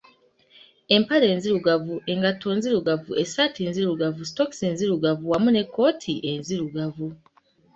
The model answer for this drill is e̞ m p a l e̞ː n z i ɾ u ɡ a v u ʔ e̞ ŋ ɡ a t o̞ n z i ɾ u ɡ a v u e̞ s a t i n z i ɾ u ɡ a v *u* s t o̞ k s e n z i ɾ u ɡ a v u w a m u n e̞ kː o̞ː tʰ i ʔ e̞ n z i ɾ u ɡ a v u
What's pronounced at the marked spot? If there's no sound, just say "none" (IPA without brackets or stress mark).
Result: u